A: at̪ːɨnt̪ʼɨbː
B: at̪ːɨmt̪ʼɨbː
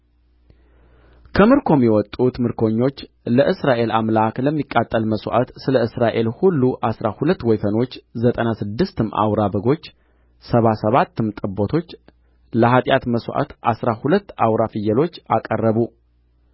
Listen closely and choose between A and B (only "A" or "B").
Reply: B